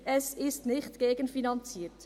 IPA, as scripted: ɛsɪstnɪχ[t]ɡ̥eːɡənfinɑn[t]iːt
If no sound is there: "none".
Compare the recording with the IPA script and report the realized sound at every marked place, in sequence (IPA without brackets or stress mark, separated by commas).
t, t͡s